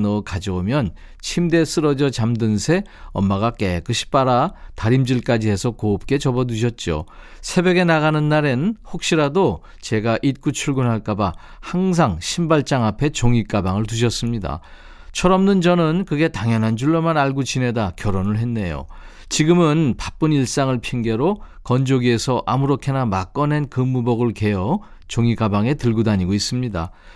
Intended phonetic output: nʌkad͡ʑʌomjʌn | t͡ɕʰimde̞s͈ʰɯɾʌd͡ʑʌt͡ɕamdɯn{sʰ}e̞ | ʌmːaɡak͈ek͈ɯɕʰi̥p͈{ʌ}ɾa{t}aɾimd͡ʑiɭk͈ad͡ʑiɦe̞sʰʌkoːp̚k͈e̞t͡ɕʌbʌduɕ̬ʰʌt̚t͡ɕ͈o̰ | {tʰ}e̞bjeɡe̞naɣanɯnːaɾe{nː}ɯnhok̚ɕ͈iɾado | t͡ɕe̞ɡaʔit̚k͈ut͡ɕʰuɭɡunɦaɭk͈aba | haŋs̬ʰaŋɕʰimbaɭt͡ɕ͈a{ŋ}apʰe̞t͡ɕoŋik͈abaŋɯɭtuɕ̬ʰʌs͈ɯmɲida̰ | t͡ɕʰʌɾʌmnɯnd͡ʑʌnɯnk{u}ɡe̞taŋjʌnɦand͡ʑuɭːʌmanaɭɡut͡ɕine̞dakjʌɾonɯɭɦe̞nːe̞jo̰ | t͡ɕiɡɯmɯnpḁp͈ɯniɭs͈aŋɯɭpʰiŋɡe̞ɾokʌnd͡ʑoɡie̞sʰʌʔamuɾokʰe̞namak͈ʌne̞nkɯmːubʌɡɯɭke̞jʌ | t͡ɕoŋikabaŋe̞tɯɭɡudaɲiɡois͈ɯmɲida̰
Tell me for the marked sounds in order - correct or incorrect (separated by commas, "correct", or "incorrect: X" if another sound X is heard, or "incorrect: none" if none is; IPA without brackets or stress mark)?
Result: correct, incorrect: a, correct, incorrect: sʰ, incorrect: n, correct, incorrect: ɯ